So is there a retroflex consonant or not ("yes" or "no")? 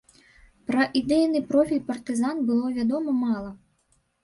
no